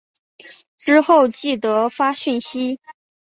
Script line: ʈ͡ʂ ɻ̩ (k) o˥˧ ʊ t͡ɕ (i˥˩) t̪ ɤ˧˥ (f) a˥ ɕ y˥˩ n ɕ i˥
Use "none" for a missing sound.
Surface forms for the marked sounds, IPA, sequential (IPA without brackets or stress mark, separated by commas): x, i˥˩, f